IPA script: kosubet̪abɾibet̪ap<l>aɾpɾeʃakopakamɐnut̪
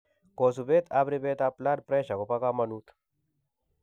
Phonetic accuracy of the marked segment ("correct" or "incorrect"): correct